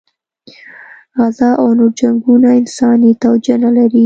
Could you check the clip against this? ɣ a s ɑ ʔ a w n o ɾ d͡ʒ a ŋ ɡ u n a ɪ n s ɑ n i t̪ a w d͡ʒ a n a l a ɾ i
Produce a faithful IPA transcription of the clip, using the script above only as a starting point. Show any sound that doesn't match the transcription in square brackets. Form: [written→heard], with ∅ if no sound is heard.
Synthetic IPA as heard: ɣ a [s→z] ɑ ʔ a w n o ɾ d͡ʒ a ŋ ɡ u n a ɪ n s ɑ n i t̪ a w d͡ʒ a n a l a ɾ i

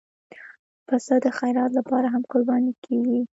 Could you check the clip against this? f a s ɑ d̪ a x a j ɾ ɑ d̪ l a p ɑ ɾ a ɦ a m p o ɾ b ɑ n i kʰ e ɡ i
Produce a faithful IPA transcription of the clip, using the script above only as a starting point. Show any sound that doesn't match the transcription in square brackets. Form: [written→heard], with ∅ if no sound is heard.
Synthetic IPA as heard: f a s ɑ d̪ [a→ə] x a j ɾ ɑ [d̪→t̪] l a p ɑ ɾ a ɦ a m [p→k] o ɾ b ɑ n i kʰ e ɡ i

